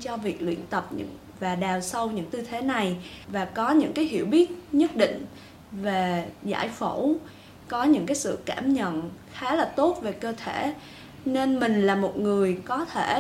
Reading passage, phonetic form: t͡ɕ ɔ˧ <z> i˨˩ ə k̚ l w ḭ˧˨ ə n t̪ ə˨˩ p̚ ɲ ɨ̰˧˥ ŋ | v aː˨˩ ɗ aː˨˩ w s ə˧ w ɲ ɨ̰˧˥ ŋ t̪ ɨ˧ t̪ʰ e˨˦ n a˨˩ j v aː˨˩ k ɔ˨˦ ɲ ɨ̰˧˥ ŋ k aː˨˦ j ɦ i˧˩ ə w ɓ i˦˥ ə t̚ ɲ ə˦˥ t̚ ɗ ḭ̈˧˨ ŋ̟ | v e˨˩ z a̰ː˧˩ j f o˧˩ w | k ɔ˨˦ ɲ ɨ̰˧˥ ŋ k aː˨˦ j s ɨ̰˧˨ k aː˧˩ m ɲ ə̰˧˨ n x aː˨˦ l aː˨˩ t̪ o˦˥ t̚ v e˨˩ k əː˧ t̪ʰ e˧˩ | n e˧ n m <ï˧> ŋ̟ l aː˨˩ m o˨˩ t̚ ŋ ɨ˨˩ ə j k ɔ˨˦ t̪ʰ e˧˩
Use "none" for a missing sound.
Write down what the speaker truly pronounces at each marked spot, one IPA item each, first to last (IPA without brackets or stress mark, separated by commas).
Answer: v, ï˨˩